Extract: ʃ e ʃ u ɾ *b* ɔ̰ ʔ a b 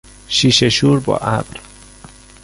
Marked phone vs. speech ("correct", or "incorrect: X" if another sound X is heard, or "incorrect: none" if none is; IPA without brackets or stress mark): correct